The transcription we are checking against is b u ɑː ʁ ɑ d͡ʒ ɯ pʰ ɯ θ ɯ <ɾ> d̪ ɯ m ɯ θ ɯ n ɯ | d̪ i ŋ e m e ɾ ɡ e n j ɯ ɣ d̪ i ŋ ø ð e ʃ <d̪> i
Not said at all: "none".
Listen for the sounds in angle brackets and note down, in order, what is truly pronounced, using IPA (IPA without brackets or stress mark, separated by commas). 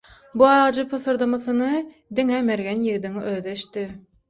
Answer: ɾ, t̪